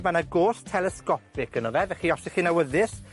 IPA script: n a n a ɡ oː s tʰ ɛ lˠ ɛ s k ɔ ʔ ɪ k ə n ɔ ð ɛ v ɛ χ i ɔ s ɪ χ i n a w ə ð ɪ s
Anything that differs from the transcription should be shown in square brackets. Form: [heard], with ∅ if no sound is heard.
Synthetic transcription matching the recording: [m] a n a ɡ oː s tʰ ɛ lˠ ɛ s k ɔ [p] ɪ k ə n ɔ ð ɛ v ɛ χ i ɔ s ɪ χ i n a w ə ð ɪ s